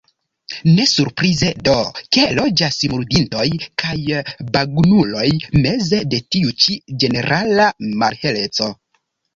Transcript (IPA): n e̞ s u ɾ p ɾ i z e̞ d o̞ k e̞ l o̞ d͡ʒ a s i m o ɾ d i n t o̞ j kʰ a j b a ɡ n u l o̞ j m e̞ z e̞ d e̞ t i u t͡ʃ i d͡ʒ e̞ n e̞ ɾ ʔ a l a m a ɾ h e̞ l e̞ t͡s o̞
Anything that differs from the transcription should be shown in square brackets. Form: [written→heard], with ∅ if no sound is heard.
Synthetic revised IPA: n e̞ s u ɾ p ɾ i z e̞ d o̞ k e̞ l o̞ d͡ʒ a s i m [o→u] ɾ d i n t o̞ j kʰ a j b a ɡ n u l o̞ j m e̞ z e̞ d e̞ t i u t͡ʃ i d͡ʒ e̞ n e̞ ɾ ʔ a l a m a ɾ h e̞ l e̞ t͡s o̞